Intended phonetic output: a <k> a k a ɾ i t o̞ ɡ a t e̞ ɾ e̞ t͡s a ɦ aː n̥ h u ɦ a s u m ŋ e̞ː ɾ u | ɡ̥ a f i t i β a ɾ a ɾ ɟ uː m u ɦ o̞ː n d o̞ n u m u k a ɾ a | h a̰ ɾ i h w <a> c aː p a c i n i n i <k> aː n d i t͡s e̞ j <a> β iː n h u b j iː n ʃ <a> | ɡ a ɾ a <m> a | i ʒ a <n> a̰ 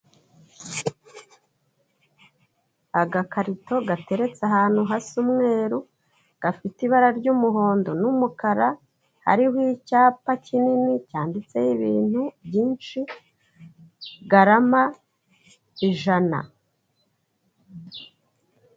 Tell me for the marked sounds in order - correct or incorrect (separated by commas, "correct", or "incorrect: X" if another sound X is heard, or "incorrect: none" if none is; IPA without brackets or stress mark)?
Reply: incorrect: ɡ, incorrect: i, incorrect: c, incorrect: i, incorrect: i, correct, correct